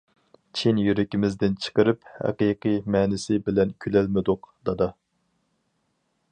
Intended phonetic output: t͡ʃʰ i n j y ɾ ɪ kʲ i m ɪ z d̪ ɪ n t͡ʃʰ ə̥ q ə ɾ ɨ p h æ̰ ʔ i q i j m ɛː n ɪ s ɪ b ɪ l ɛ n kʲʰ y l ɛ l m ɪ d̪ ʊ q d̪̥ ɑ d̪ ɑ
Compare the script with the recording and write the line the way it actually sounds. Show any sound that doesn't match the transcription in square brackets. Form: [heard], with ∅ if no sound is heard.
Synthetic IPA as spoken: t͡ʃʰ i n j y ɾ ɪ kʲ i m ɪ z d̪ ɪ n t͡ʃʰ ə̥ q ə ɾ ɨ p h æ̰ [q] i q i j m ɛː n ɪ s ɪ b ɪ l ɛ n kʲʰ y l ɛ l m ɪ d̪ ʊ q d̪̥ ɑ d̪ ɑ